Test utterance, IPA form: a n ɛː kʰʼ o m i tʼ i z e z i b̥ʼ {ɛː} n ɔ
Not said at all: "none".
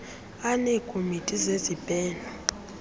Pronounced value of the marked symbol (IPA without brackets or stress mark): ɛː